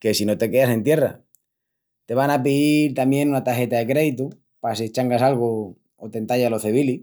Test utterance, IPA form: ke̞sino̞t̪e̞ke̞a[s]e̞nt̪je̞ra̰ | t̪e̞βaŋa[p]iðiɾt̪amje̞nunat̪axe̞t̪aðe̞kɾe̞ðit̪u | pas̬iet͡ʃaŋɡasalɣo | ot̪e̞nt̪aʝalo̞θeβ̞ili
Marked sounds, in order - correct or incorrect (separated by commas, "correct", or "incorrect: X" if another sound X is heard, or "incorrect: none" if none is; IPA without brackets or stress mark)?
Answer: correct, correct